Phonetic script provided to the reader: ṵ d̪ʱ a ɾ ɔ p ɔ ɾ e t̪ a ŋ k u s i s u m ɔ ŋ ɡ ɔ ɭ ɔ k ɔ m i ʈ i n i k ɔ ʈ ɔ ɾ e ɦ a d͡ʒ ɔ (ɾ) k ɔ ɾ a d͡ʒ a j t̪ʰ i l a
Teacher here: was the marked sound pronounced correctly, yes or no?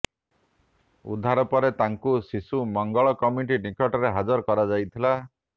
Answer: yes